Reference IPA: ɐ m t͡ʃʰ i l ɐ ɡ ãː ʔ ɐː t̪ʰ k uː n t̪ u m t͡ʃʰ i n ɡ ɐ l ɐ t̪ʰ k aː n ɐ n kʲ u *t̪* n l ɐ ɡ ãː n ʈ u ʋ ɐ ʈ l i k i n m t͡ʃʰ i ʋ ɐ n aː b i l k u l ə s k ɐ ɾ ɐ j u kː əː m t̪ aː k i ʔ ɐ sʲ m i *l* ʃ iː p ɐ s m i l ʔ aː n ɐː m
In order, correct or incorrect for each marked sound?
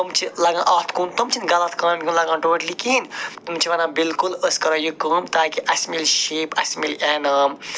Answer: incorrect: none, correct

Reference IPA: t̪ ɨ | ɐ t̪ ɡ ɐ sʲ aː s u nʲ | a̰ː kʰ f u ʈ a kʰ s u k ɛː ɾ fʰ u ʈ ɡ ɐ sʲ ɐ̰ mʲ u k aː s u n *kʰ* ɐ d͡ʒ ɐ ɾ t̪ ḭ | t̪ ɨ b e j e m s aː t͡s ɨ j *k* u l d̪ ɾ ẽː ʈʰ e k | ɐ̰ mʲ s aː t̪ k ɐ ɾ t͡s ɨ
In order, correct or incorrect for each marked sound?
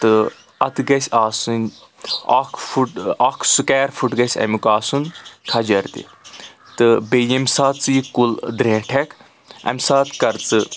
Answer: correct, correct

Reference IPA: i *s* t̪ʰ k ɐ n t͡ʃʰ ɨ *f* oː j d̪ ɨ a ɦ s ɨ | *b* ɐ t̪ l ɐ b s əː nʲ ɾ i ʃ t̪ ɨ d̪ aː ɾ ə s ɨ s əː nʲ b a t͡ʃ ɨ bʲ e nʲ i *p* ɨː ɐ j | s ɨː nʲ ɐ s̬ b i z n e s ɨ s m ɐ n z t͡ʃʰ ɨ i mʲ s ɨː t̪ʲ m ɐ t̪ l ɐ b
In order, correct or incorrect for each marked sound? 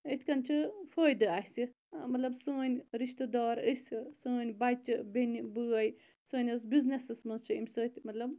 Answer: incorrect: none, correct, incorrect: m, incorrect: b

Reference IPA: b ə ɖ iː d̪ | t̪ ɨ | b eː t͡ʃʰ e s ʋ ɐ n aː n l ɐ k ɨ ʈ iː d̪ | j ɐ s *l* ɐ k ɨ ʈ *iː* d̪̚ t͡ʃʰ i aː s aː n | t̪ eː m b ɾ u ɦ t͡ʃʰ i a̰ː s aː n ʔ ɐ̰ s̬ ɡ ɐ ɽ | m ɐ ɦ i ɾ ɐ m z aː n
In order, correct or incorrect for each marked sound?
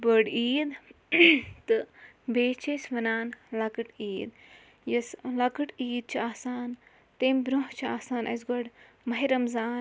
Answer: correct, correct

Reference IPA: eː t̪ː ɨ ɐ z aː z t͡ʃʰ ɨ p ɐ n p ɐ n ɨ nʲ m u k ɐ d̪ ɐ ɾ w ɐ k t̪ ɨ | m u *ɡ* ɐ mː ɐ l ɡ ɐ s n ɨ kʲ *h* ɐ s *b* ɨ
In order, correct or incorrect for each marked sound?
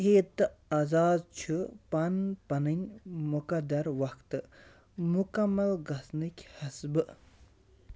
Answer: incorrect: k, correct, correct

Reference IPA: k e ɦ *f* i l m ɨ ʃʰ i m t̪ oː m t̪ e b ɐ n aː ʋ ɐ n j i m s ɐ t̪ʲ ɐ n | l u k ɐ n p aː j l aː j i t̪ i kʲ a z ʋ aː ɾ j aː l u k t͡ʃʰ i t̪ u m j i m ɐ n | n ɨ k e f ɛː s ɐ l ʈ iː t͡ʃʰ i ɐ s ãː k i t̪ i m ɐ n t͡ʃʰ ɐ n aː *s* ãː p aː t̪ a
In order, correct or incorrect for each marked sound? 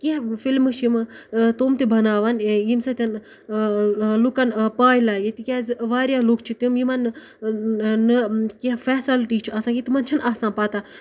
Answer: correct, correct

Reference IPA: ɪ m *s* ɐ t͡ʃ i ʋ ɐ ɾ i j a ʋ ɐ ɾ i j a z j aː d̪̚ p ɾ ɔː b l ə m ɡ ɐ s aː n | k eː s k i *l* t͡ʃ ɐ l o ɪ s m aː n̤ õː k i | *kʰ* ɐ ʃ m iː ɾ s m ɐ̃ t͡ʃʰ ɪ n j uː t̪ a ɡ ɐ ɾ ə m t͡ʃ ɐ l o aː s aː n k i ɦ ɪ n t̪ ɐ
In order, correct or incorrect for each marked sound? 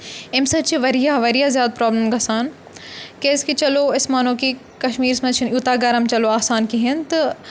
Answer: correct, incorrect: none, incorrect: k

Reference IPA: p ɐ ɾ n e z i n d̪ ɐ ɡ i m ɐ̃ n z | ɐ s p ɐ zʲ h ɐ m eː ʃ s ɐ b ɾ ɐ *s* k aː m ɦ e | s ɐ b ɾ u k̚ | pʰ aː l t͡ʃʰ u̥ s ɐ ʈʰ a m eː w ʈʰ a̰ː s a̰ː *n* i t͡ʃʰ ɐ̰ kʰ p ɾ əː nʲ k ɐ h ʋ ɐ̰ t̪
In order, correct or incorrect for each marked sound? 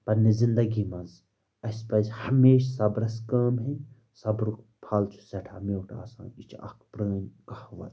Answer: correct, correct

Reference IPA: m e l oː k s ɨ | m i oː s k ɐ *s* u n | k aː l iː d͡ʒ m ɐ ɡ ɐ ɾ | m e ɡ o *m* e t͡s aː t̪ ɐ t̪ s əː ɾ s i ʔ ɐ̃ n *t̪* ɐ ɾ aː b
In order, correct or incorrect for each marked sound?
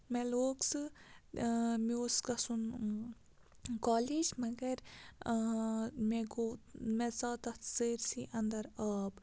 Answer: correct, correct, incorrect: d̪

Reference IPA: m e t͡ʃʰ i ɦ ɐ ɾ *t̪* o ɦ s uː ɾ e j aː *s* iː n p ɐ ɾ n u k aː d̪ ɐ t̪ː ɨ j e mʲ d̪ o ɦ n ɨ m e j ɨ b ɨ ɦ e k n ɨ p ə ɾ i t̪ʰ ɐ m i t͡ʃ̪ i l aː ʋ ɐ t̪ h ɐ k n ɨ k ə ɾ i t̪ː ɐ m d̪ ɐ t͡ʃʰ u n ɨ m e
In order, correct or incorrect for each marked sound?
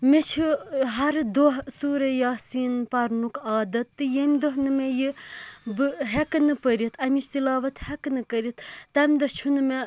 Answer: incorrect: d̪, correct

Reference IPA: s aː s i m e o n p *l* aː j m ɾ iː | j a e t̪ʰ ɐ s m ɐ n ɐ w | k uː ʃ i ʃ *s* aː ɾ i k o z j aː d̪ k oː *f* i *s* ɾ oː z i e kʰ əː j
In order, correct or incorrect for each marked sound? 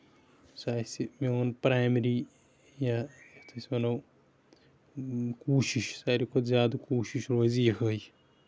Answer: incorrect: ɾ, correct, incorrect: ʃ, incorrect: ʃ

